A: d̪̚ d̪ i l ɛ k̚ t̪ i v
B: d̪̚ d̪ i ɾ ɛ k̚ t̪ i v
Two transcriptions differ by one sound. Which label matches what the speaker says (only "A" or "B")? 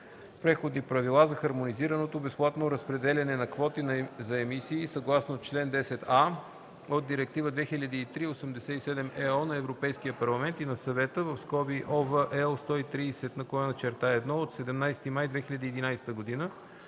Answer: B